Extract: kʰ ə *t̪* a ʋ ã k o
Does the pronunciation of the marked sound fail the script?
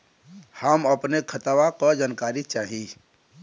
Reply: no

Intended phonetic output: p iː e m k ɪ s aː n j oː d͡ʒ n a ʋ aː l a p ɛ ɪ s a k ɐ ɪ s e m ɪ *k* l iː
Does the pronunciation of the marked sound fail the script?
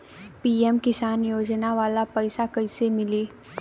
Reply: yes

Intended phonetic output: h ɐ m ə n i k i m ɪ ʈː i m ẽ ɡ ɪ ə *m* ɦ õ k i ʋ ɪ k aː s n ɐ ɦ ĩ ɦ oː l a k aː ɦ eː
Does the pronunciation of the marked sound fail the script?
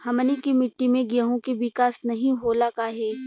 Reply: yes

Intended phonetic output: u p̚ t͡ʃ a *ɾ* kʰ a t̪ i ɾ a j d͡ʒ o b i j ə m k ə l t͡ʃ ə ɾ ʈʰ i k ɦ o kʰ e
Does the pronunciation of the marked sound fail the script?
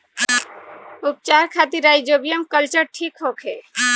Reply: no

